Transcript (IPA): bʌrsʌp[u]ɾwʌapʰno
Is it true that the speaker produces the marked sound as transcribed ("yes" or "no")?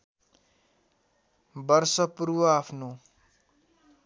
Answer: yes